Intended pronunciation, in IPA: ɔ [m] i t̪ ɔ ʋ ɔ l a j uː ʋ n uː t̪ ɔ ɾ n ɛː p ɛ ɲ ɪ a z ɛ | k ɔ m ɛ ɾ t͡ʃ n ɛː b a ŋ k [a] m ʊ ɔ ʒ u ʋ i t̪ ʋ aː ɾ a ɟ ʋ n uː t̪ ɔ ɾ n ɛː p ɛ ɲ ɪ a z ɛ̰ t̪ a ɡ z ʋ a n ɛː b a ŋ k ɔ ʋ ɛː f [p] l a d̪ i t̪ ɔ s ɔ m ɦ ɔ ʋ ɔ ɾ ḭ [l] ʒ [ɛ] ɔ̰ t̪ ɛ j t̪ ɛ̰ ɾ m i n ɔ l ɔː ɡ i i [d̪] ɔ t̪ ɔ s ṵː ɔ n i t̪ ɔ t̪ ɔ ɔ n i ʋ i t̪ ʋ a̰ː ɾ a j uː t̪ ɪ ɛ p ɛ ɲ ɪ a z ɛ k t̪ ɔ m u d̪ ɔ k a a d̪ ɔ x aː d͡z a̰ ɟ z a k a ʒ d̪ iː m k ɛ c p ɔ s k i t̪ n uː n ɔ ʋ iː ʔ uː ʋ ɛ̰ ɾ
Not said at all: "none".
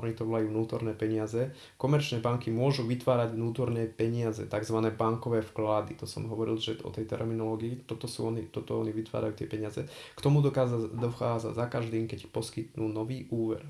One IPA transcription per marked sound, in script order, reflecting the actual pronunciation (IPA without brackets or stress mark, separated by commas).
ɲ, i, k, l, ɛ, t̪